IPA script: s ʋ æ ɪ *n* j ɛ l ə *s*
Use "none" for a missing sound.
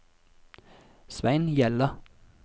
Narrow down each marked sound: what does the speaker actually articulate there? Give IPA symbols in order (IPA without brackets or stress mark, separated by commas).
n, none